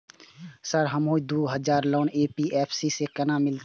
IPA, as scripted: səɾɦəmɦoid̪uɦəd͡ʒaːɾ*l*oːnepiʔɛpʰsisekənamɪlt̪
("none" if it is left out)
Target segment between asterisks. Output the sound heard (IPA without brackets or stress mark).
l